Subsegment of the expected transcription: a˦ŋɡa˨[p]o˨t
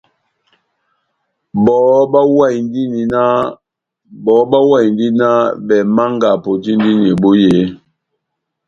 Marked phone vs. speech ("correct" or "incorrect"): correct